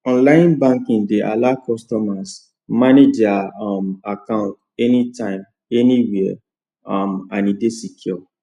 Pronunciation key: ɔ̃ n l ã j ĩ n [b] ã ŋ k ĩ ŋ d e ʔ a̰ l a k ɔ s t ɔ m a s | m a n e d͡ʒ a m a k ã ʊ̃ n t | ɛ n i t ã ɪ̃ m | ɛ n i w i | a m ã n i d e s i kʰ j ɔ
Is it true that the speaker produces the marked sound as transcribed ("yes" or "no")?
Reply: yes